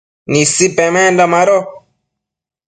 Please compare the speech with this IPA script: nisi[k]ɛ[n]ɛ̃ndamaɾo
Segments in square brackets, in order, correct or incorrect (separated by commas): incorrect, incorrect